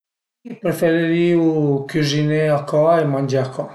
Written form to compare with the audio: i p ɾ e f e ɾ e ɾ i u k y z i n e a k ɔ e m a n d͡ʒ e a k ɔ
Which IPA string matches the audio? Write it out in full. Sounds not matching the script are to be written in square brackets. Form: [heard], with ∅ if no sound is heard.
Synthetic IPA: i p ɾ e f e ɾ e ɾ i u k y z i n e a k ɔ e m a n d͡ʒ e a k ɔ